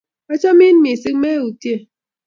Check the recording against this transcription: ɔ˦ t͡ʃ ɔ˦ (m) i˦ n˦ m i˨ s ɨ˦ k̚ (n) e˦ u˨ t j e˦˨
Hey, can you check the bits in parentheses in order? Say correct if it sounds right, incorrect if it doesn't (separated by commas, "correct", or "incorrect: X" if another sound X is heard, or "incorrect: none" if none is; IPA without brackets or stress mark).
correct, incorrect: m